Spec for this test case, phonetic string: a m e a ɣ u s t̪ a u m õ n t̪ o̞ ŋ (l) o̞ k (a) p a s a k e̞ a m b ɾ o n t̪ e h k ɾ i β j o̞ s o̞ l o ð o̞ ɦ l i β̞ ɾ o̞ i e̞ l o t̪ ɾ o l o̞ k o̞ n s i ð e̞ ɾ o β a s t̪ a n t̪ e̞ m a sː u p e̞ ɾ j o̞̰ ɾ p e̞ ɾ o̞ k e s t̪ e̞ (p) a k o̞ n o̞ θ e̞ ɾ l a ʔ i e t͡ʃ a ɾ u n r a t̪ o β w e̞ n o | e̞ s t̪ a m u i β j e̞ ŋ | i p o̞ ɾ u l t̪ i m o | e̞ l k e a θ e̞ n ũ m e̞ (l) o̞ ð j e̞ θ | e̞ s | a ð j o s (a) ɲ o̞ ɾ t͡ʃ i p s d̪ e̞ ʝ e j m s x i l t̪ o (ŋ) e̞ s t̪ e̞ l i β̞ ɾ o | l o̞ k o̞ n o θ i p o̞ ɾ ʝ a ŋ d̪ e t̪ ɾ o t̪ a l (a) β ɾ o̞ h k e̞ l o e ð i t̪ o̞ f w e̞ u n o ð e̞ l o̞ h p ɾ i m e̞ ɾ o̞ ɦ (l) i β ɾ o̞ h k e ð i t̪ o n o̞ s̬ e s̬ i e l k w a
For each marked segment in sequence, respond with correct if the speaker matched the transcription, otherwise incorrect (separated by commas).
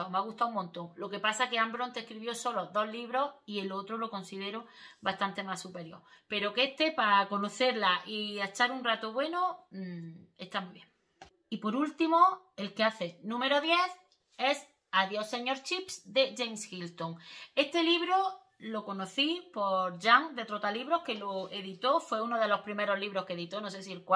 correct, incorrect, correct, incorrect, incorrect, correct, incorrect, correct